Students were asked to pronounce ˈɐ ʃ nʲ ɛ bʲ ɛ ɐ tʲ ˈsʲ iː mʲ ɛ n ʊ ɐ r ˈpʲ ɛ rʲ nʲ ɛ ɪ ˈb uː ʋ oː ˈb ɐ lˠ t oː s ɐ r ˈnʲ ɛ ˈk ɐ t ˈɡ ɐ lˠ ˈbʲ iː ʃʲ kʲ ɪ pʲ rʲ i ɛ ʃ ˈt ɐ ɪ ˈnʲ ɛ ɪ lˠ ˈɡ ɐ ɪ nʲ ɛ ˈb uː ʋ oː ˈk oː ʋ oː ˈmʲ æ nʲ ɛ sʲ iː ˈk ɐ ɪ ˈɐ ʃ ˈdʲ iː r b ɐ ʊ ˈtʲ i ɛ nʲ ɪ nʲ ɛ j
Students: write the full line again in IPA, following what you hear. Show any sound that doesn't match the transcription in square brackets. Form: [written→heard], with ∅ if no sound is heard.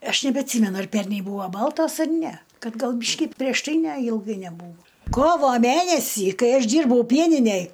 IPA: ˈɐ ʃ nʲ ɛ bʲ ɛ ɐ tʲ ˈsʲ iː mʲ ɛ n ʊ ɐ r ˈpʲ ɛ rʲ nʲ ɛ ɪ ˈb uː ʋ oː ˈb ɐ lˠ t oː s ɐ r ˈnʲ ɛ ˈk ɐ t ˈɡ ɐ lˠ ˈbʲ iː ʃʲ kʲ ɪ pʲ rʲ i ɛ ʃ ˈt ɐ ɪ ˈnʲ ɛ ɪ lˠ ˈɡ ɐ ɪ nʲ ɛ ˈb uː ʋ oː ˈk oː ʋ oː ˈmʲ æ nʲ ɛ sʲ iː ˈk ɐ ɪ ˈɐ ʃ ˈdʲ iː r b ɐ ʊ [ˈtʲ→ˈpʲ] i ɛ nʲ ɪ nʲ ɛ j